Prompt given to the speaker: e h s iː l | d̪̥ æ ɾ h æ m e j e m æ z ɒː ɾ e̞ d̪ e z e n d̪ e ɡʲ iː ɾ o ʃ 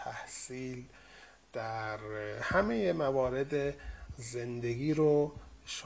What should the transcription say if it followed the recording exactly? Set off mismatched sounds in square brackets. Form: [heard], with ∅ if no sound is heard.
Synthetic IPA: [æ] h s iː l | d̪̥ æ ɾ h æ m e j e m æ [v] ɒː ɾ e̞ d̪ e z e n d̪ e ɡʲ iː ɾ o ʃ